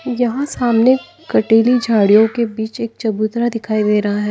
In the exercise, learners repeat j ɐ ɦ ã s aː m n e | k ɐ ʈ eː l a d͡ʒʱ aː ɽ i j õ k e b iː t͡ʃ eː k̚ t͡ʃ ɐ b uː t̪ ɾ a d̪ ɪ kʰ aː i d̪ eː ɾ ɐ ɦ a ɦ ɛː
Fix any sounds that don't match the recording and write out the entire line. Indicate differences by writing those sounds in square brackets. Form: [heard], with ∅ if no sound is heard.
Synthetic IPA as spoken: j ɐ ɦ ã s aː m n e | k ɐ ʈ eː l [i] d͡ʒʱ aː ɽ i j õ k e b iː t͡ʃ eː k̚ t͡ʃ ɐ b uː t̪ ɾ a d̪ ɪ kʰ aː i d̪ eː ɾ ɐ ɦ a ɦ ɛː